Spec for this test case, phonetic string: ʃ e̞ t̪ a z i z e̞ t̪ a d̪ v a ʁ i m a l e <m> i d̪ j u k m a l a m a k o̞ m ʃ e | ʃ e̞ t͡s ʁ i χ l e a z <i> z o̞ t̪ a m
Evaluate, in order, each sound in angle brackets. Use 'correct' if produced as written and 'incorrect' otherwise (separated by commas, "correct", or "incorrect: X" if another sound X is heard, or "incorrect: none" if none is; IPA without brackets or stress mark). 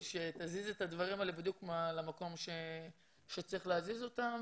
incorrect: b, correct